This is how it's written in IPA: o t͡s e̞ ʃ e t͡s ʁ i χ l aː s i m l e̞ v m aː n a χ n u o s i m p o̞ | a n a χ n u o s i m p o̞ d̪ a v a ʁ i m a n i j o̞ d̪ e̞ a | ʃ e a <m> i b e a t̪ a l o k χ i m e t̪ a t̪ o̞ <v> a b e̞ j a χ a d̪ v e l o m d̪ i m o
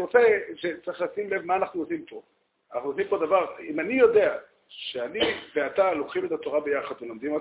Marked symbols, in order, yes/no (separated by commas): no, no